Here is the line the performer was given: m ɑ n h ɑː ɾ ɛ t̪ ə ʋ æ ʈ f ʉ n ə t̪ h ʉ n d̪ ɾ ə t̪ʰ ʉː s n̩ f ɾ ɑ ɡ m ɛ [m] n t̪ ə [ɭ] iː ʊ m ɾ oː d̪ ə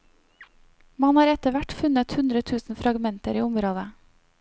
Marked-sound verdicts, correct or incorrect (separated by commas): incorrect, incorrect